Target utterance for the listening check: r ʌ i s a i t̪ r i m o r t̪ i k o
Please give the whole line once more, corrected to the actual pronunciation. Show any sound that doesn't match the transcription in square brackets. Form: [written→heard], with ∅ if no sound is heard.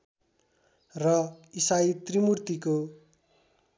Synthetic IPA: r ʌ i s a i t̪ r i m [o→u] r t̪ i k o